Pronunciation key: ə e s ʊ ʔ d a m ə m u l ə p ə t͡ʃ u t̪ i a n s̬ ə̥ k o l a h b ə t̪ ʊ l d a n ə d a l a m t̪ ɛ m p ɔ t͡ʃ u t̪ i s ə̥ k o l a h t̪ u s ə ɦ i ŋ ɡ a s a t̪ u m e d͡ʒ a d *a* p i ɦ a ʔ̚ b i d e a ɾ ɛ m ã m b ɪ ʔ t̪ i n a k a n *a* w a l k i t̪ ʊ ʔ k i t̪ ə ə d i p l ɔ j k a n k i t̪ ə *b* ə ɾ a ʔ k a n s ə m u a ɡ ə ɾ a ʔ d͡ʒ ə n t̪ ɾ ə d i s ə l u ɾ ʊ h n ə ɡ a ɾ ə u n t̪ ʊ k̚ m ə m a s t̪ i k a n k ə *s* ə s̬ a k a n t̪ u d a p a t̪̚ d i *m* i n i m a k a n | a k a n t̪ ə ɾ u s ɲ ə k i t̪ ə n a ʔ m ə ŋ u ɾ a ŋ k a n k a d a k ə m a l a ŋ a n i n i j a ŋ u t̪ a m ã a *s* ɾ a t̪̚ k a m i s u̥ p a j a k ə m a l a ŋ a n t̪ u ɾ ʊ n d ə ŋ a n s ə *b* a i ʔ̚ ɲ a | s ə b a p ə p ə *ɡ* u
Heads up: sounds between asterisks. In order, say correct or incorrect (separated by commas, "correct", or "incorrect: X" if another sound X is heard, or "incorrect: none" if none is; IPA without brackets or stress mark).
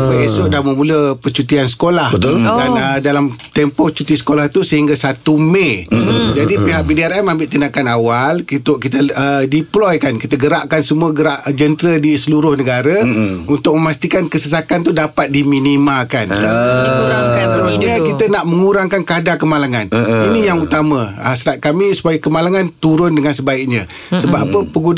incorrect: i, correct, incorrect: ɡ, correct, correct, correct, correct, correct